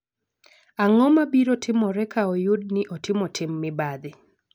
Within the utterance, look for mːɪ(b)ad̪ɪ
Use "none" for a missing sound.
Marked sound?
b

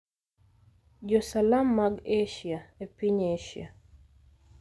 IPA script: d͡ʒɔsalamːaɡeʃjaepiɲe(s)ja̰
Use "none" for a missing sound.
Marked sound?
ʃ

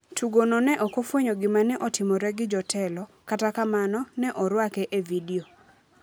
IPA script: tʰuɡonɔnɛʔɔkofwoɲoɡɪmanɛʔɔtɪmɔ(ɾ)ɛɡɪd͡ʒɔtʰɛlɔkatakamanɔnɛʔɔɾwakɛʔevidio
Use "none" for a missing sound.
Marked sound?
ɾ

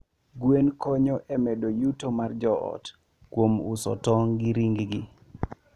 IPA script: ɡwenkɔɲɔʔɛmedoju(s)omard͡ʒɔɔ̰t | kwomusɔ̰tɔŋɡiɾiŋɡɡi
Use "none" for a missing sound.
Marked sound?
t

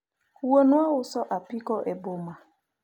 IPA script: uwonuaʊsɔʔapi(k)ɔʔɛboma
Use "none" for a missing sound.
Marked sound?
k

